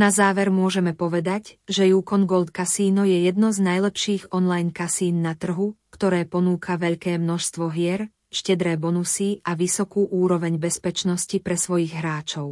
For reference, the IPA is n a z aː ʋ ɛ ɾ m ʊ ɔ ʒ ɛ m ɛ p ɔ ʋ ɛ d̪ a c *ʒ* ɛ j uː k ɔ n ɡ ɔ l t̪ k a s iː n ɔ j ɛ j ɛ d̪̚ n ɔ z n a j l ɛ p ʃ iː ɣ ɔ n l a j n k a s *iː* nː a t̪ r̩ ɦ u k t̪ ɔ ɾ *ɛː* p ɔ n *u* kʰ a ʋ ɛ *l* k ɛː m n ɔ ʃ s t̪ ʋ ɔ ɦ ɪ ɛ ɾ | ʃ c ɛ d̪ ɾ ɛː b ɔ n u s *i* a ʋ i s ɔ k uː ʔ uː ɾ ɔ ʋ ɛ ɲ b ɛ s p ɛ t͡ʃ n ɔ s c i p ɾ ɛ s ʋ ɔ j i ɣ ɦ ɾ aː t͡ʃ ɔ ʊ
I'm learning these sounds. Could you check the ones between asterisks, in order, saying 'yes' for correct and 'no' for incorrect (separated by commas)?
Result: yes, yes, yes, no, no, yes